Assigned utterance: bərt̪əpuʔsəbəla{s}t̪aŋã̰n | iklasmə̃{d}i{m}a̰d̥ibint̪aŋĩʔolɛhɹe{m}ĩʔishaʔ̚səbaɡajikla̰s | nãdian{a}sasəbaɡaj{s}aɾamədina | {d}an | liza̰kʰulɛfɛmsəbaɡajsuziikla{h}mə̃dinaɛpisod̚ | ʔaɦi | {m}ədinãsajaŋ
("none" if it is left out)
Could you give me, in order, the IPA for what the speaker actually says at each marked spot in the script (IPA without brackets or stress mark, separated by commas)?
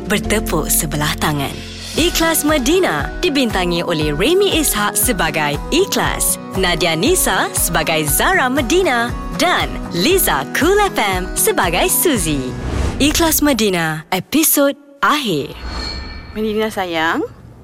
h, d, n, m, i, z, d, s, m